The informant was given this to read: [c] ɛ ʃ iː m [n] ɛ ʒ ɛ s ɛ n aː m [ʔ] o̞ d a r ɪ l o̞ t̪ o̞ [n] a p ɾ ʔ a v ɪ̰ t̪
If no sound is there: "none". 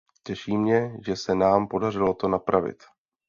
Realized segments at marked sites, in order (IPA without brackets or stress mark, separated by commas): c, ɲ, p, n